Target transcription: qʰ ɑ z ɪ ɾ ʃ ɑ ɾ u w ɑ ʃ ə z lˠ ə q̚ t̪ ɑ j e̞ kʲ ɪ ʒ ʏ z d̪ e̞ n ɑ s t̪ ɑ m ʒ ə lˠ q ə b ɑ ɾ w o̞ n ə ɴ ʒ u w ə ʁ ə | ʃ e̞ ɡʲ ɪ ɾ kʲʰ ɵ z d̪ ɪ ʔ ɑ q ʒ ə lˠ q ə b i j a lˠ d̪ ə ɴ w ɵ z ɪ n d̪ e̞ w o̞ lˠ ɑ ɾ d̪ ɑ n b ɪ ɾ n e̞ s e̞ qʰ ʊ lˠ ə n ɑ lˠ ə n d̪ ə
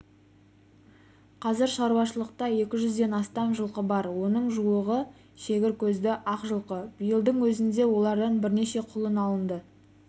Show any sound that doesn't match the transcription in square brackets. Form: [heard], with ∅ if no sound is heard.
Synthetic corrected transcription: qʰ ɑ z ɪ ɾ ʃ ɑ ɾ u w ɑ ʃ ə [∅] lˠ ə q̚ t̪ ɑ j e̞ kʲ ɪ ʒ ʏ z d̪ e̞ n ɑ s t̪ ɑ m ʒ ə lˠ q ə b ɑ ɾ w o̞ n ə ɴ ʒ u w ə ʁ ə | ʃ e̞ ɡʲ ɪ ɾ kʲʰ ɵ z d̪ ɪ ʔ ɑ q ʒ ə lˠ q ə b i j [ə] lˠ d̪ ə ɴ w ɵ z ɪ n d̪ e̞ w o̞ lˠ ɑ ɾ d̪ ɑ n b ɪ ɾ n e̞ [ʃ] e̞ qʰ ʊ lˠ ə n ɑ lˠ ə n d̪ ə